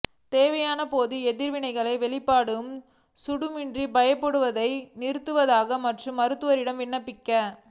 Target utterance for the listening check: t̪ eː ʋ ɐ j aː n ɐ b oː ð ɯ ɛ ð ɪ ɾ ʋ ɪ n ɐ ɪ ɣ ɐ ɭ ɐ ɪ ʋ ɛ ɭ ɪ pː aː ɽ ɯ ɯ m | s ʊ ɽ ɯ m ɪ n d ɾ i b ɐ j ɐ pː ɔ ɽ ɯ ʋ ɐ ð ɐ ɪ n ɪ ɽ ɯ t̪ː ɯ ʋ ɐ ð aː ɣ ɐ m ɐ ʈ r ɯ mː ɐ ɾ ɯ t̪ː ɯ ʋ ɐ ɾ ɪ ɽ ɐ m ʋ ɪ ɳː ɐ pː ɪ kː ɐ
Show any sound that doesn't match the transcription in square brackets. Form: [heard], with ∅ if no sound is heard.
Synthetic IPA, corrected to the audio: t̪ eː ʋ ɐ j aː n ɐ [p] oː ð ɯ ɛ ð ɪ ɾ ʋ ɪ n ɐ ɪ ɣ ɐ ɭ ɐ ɪ ʋ ɛ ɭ ɪ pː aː ɽ ɯ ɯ m | s ʊ ɽ ɯ m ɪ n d [r] i b ɐ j ɐ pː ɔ ɽ ɯ ʋ ɐ ð ɐ ɪ n ɪ [ɾ] ɯ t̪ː ɯ ʋ ɐ ð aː ɣ ɐ m ɐ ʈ r ɯ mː ɐ ɾ ɯ t̪ː ɯ ʋ ɐ ɾ ɪ ɽ ɐ m ʋ ɪ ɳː ɐ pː ɪ kː ɐ